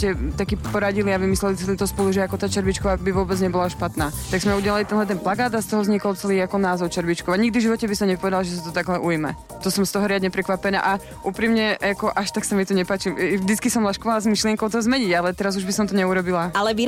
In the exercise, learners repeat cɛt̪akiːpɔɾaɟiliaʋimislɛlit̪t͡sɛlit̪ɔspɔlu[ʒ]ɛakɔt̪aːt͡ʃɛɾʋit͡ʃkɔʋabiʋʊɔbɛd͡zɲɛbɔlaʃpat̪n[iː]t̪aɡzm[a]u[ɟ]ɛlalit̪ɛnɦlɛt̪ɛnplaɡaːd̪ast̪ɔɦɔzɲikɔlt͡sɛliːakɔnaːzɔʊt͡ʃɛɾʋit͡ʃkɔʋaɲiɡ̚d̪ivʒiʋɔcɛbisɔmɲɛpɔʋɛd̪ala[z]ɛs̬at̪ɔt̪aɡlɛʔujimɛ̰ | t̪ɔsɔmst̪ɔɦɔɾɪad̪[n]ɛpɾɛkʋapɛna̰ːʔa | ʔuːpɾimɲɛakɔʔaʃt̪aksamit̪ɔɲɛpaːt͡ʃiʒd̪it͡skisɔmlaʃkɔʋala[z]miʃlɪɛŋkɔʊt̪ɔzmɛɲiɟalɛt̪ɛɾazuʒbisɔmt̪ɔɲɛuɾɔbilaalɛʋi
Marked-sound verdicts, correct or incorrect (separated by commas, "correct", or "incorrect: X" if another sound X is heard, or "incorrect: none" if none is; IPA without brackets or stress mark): correct, incorrect: aː, incorrect: ɛ, correct, incorrect: ʒ, incorrect: ɲ, correct